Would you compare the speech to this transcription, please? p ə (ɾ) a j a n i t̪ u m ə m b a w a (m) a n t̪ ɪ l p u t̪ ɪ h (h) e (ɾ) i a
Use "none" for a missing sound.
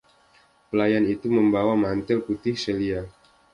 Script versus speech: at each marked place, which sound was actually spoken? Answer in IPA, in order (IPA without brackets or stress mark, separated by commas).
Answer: l, m, s, l